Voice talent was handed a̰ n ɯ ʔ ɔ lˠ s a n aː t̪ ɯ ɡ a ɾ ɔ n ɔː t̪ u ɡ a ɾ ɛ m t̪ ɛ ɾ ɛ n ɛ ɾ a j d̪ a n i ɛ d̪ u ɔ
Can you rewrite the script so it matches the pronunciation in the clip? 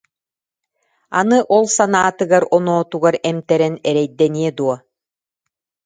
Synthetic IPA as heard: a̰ n ɯ ʔ ɔ lˠ s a n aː t̪ ɯ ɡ a ɾ ɔ n ɔː t̪ u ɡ a ɾ ɛ m t̪ ɛ ɾ ɛ n ɛ ɾ ɛ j d̪ ɛ n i ɛ d̪ u ɔ